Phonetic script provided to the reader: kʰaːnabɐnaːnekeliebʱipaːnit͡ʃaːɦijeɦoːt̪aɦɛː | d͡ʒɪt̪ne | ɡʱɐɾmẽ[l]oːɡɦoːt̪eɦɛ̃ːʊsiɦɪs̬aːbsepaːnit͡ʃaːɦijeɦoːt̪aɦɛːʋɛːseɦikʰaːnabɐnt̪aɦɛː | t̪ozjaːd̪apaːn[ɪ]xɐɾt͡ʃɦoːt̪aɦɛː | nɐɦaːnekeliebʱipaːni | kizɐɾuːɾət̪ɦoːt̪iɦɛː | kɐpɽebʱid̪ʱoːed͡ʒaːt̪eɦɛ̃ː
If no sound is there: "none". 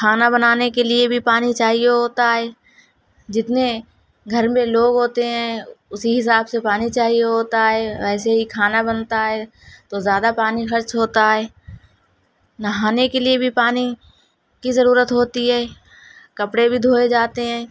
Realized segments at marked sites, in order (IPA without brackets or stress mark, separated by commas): l, i